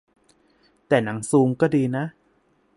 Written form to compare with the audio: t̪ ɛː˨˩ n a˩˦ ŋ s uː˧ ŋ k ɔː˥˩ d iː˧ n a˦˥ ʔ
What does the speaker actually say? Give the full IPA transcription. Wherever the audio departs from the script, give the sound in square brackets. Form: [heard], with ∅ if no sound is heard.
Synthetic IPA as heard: t̪ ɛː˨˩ n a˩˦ ŋ s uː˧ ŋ k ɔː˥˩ d iː˧ n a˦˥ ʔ